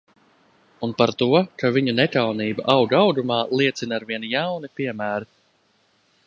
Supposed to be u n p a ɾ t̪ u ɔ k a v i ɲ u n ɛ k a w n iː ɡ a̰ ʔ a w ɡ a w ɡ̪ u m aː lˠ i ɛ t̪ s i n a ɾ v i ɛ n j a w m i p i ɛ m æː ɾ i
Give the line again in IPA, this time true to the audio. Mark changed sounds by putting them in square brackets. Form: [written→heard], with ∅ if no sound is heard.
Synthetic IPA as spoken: u n p a ɾ t̪ u ɔ k a v i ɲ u n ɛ k a w n iː [ɡ→b] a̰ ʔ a w ɡ a w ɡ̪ u m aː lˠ i ɛ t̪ s i n a ɾ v i ɛ n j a w [m→n] i p i ɛ m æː ɾ i